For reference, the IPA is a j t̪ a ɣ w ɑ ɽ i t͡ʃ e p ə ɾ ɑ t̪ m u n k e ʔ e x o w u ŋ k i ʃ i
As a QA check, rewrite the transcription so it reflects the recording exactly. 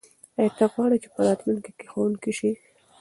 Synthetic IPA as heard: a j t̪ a ɣ w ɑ ɽ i t͡ʃ e p ə ɾ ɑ t̪ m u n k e k e x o w u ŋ k i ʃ i